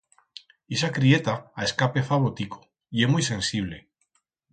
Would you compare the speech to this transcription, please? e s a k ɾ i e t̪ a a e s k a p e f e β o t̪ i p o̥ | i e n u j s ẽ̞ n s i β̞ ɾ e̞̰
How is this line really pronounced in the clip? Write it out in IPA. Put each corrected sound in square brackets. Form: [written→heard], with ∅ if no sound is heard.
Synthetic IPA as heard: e s a k ɾ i e t̪ a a e s k a p e f [e→a] β o t̪ i [p→k] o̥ | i e [n→m] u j s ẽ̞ n s i β̞ [ɾ→l] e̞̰